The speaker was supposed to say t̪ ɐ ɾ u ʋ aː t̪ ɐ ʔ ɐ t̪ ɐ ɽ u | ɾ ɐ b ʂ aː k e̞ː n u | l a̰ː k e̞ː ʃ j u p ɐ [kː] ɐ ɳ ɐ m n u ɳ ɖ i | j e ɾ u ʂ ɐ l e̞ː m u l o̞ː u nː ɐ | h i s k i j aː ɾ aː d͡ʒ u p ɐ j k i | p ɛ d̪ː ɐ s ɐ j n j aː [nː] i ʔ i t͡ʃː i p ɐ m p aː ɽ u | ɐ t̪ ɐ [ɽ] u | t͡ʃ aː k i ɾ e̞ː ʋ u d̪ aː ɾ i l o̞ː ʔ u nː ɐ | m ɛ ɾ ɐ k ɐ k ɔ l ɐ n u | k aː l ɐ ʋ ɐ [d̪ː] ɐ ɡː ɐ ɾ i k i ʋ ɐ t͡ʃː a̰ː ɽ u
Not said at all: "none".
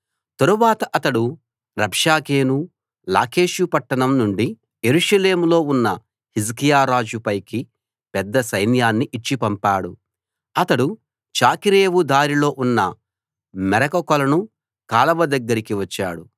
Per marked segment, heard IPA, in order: ʈː, nː, ɽ, d̪

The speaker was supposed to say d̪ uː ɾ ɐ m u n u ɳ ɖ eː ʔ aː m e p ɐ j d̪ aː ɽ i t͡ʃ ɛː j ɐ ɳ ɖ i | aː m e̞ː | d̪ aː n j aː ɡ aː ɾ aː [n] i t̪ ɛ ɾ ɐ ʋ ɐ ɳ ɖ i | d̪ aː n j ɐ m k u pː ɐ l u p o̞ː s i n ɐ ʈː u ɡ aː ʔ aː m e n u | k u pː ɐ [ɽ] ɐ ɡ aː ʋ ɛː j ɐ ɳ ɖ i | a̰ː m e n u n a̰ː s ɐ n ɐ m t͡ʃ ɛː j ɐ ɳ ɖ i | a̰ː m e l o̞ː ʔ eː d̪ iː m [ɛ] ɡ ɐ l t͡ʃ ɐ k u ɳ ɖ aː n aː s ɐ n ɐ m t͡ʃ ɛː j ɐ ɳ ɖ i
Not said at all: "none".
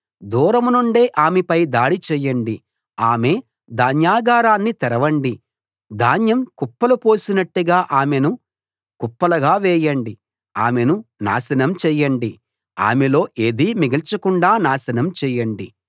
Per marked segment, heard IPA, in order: nː, l, i

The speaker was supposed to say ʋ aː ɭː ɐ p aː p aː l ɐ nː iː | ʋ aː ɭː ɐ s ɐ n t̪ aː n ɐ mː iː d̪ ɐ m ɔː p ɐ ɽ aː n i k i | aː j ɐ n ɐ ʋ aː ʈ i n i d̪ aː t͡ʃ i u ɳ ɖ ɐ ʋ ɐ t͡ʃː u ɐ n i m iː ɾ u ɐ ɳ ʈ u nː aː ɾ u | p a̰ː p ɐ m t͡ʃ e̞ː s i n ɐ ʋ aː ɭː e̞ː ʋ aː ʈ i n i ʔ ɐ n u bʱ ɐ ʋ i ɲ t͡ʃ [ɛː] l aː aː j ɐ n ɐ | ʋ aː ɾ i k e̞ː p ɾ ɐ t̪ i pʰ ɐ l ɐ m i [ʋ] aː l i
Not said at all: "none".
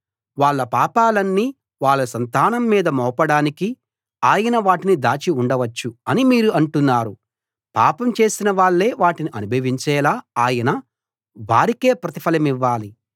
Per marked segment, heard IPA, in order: ɛː, ʋː

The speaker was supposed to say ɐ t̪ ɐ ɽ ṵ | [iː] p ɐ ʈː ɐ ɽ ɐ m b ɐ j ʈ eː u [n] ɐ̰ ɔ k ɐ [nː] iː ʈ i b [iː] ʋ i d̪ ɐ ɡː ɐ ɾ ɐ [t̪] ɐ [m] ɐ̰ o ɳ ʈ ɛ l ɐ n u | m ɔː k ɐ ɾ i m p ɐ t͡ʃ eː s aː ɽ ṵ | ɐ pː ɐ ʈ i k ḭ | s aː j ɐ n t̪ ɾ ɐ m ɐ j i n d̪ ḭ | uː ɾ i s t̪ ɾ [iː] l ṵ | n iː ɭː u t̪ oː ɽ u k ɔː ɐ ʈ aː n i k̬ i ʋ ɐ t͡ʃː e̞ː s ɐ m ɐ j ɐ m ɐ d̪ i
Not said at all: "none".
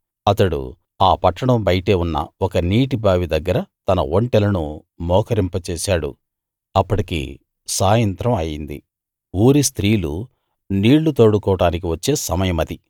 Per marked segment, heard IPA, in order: aː, nː, n, aː, t̪, n, iː

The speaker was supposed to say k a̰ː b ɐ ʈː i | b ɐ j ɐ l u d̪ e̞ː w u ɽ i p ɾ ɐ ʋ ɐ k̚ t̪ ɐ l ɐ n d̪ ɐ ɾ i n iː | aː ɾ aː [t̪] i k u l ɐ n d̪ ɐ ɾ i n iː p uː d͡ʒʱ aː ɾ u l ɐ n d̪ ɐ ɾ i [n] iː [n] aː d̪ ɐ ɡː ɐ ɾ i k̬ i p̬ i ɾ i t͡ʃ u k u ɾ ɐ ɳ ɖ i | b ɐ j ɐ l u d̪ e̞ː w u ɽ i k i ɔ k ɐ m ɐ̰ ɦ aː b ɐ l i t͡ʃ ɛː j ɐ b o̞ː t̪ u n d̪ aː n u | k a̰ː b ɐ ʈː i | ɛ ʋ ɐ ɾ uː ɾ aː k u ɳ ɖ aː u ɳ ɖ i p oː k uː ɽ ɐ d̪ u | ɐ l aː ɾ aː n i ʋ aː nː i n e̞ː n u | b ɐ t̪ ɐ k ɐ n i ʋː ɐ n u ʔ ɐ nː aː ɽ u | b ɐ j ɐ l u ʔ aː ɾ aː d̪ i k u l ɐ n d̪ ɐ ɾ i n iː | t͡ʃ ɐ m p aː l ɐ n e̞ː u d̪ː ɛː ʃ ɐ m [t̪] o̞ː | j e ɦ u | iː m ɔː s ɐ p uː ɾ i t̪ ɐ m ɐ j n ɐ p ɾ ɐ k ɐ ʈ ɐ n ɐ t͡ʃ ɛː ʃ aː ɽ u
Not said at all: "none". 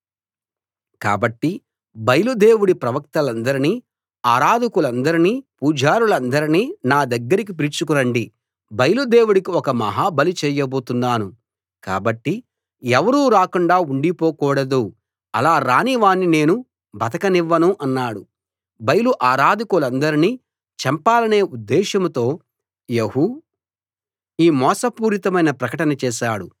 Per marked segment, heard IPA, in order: d̪, n, n, t̪

